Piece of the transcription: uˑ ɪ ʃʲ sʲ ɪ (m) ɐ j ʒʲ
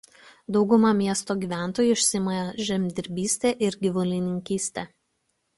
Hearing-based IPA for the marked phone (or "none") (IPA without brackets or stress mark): m